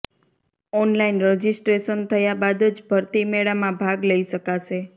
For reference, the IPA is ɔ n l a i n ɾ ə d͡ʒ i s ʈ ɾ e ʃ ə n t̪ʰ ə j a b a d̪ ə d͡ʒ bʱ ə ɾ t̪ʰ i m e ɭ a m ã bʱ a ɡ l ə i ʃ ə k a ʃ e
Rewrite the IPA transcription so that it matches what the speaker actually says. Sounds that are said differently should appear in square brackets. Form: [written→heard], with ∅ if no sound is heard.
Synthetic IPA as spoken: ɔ n l a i n ɾ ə d͡ʒ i s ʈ ɾ e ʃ ə n t̪ʰ ə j a b a d̪ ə d͡ʒ bʱ ə ɾ [t̪ʰ→t̪] i m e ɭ a m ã bʱ a ɡ l ə i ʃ ə k a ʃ e